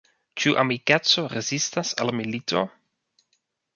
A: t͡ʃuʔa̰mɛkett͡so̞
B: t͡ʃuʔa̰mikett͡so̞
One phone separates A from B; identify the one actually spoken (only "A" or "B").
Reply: B